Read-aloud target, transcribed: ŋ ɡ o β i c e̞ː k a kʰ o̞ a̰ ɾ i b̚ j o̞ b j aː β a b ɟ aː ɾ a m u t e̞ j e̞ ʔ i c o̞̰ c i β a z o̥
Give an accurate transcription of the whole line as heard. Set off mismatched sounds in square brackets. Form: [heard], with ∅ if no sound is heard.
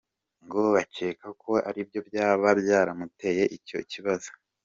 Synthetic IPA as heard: ŋ ɡ o β [a] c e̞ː k a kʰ o̞ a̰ ɾ i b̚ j o̞ b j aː β a b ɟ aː ɾ a m u t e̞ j e̞ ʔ i c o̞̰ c i β a z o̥